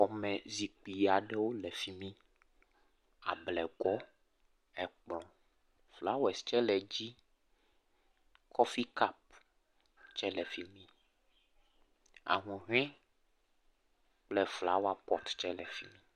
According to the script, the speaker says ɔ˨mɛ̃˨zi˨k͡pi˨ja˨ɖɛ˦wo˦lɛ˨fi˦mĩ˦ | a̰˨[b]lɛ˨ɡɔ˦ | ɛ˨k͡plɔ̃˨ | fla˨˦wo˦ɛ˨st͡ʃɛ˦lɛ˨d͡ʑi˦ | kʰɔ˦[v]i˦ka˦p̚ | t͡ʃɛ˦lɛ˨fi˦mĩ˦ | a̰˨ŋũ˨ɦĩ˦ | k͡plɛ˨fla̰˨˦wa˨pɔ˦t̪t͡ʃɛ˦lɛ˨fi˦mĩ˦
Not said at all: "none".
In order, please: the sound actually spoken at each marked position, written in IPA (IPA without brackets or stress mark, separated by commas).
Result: b, f